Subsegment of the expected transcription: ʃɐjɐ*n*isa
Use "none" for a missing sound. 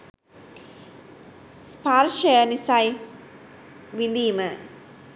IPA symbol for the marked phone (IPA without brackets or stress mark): n